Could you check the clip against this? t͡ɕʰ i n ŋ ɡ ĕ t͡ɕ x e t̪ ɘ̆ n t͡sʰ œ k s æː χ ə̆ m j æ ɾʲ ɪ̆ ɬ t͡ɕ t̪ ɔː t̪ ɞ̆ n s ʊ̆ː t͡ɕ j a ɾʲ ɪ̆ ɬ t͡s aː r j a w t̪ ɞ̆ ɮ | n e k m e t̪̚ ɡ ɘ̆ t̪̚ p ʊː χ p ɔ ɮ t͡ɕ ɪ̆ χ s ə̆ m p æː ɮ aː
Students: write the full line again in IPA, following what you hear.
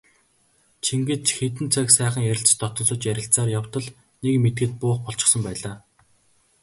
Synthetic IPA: t͡ɕʰ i ŋ ɡ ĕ t͡ɕ x e t̪ ɘ̆ n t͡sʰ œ k s æː χ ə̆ ŋ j æ ɾʲ ɪ̆ ɬ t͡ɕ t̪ ɔ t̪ ɞ̆ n s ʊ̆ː t͡ɕ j æ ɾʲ ɪ̆ ɬ t͡s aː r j a w t̪ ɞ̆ ɮ | n e k m e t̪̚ ɡ ɘ̆ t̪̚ p ʊː χ p ɔ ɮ t͡ɕ ɪ̆ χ s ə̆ m p æː ɮ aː